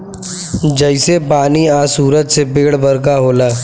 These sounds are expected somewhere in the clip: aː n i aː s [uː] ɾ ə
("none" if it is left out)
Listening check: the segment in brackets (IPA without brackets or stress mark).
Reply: uː